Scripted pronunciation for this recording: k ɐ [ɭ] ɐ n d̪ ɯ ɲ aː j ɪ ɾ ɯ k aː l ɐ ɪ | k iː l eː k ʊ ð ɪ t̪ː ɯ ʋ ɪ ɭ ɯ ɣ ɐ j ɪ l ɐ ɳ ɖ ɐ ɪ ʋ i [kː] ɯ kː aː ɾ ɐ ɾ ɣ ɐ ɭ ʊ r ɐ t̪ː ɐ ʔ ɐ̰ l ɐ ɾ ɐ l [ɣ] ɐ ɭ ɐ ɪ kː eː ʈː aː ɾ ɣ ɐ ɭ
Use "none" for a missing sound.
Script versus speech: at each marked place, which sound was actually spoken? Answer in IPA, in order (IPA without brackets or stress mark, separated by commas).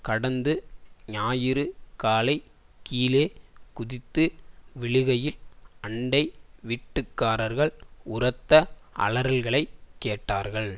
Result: ɽ, ʈː, ɣ